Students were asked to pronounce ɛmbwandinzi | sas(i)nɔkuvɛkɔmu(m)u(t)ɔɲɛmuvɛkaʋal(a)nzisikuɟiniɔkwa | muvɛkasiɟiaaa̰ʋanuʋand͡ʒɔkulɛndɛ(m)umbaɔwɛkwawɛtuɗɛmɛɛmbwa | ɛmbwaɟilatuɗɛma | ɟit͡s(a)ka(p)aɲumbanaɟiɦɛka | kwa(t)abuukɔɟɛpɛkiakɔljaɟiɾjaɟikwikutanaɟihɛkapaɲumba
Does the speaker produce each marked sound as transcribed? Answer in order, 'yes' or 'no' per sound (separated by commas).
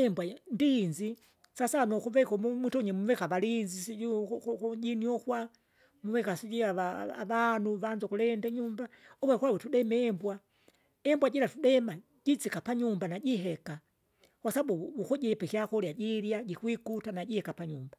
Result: no, yes, yes, no, no, no, yes, no